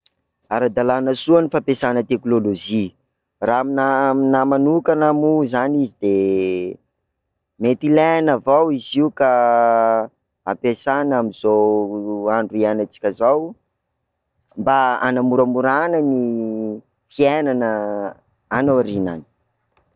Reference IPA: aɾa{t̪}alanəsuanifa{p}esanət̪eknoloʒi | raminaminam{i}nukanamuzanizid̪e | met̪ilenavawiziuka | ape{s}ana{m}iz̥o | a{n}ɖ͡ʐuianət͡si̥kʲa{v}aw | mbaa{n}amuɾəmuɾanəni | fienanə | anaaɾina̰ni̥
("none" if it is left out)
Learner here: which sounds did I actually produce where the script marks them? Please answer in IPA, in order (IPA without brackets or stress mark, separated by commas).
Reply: d̪, p, a, s, m, ɳ, z, n